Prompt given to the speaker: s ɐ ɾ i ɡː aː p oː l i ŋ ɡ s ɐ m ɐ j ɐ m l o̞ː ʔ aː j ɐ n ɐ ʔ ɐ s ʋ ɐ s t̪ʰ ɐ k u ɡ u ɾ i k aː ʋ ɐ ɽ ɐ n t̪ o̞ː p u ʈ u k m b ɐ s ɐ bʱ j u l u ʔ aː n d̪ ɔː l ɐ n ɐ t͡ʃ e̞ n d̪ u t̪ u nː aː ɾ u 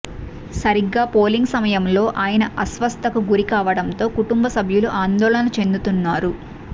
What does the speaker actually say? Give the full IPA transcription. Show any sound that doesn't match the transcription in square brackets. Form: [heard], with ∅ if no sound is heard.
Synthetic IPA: s ɐ ɾ i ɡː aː p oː l i ŋ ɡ s ɐ m ɐ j ɐ m l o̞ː ʔ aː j ɐ n ɐ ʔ ɐ s ʋ ɐ s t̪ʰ ɐ k u ɡ u ɾ i k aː ʋ ɐ ɽ ɐ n t̪ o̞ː [k] u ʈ u [∅] m b ɐ s ɐ bʱ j u l u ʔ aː n d̪ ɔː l ɐ n ɐ t͡ʃ e̞ n d̪ u t̪ u nː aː ɾ u